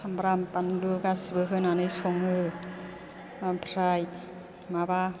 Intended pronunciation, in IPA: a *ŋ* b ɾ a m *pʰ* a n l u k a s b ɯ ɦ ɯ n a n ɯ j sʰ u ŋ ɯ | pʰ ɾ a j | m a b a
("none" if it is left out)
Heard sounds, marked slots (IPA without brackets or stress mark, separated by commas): m, p